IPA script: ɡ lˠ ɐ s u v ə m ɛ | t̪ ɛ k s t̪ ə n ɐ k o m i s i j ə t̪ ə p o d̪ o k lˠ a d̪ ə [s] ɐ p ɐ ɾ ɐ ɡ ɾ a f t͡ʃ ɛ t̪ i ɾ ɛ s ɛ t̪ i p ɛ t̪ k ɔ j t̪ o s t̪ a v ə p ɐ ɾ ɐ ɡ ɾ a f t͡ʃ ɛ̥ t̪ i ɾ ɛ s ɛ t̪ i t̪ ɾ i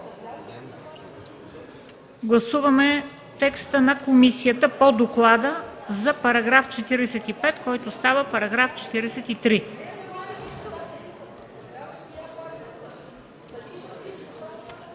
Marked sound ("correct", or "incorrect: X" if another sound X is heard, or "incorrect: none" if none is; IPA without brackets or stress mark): incorrect: z